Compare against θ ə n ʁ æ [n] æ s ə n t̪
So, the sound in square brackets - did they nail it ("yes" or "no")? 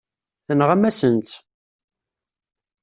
no